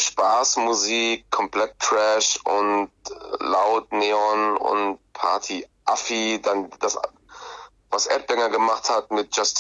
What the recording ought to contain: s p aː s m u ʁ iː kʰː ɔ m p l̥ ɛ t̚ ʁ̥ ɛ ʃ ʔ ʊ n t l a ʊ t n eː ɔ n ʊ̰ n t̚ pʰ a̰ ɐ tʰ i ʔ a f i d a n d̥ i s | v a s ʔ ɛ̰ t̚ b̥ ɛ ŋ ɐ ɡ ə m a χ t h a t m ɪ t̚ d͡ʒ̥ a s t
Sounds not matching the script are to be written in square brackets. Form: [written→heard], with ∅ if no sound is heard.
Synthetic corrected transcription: [s→ʃ] p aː s m u [ʁ→z] iː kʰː ɔ m p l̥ ɛ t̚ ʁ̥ ɛ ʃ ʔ ʊ n t l a ʊ t n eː ɔ n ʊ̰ n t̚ pʰ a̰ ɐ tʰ i ʔ a f i d a n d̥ [i→a] s | v a s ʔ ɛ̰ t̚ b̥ ɛ ŋ ɐ ɡ ə m a χ t h a t m ɪ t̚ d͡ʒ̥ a s t